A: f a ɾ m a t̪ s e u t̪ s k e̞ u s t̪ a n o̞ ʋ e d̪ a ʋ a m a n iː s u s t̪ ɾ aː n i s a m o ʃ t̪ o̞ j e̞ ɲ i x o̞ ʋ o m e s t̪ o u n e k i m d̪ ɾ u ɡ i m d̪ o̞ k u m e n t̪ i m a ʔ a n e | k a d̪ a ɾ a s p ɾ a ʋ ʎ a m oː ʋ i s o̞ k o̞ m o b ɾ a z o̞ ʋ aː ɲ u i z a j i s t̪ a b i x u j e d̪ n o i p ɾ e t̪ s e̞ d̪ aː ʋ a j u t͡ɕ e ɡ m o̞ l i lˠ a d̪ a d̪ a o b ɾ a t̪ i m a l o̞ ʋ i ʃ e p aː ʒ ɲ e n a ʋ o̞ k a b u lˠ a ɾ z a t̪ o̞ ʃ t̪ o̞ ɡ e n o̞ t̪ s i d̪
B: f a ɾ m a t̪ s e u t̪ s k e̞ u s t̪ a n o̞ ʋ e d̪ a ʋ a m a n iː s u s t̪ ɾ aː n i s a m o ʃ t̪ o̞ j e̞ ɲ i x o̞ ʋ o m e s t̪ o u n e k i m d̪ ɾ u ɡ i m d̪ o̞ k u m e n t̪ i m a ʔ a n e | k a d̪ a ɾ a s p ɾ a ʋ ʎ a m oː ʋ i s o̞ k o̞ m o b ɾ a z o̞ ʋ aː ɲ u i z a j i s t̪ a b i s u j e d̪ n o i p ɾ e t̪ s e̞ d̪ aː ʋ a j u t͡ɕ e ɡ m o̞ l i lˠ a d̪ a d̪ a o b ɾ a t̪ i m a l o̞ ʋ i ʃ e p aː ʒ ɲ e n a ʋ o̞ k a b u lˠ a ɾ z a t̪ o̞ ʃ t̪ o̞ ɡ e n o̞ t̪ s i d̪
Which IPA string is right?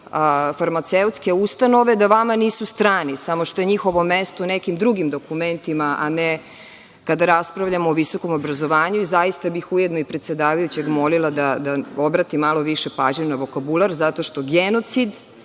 A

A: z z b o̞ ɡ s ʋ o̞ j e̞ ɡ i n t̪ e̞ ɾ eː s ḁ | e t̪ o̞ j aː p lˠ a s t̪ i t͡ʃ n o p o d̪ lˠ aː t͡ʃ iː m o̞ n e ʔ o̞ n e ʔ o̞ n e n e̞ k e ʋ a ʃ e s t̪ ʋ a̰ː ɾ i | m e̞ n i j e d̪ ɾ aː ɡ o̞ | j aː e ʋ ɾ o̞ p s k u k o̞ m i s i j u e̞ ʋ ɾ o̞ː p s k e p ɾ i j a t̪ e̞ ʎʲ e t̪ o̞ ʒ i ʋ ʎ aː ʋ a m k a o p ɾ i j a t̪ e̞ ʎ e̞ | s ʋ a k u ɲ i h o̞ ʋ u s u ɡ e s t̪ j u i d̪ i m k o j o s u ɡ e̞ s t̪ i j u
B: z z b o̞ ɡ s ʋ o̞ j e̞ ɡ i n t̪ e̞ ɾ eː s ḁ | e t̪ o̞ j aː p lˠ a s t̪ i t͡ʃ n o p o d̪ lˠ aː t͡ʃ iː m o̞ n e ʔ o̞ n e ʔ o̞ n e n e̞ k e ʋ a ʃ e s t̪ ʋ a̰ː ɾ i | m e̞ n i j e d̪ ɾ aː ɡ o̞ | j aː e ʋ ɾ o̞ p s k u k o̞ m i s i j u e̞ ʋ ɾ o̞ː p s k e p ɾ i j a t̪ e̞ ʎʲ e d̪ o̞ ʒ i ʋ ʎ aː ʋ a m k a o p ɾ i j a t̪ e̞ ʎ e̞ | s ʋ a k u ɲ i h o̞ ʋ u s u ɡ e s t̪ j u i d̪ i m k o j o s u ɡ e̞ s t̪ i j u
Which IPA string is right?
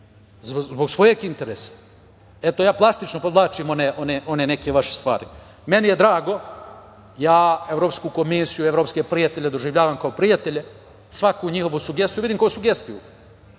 B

